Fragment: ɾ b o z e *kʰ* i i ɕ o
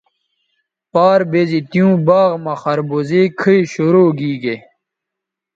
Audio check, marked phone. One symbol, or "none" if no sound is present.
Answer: kʰ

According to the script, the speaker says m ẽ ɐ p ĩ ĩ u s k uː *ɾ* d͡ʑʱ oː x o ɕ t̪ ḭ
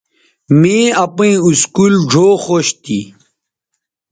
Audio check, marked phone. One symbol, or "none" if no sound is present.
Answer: l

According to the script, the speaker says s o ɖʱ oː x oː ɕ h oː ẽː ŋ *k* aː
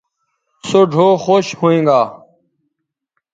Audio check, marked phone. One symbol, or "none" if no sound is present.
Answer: ɡ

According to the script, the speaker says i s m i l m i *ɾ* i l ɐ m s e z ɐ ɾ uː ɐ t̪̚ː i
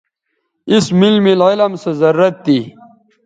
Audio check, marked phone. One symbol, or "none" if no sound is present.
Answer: l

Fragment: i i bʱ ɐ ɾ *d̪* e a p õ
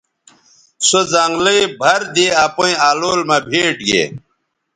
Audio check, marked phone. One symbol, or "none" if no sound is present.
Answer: d̪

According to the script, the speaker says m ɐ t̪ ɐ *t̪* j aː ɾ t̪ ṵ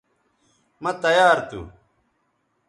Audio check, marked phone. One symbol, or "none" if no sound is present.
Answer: none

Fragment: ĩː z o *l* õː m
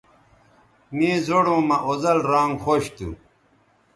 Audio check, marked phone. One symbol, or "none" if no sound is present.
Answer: ɽ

